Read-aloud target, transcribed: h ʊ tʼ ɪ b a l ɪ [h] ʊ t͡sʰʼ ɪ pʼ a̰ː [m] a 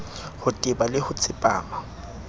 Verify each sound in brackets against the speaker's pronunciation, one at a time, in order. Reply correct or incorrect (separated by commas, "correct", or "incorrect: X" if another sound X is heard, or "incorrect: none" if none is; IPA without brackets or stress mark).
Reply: correct, correct